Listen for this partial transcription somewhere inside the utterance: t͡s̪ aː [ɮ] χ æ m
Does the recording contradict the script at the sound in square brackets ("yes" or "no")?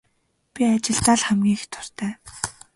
no